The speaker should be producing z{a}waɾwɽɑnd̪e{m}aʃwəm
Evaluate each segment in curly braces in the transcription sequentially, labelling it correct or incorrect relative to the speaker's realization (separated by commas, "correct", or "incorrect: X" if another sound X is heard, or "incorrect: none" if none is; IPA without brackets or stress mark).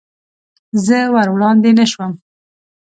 incorrect: ə, incorrect: n